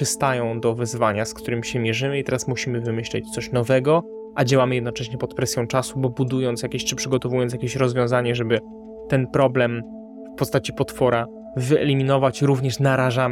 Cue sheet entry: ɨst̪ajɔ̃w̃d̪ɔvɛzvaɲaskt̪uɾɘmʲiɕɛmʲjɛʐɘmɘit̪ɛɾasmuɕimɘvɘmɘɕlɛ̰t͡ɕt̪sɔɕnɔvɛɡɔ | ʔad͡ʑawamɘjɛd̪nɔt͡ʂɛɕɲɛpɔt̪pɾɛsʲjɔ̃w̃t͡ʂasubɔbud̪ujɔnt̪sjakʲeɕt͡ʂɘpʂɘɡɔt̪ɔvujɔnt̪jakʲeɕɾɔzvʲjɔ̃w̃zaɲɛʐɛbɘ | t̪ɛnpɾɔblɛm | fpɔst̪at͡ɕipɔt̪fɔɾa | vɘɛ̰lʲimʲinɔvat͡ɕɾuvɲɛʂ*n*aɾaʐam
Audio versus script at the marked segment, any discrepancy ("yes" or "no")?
no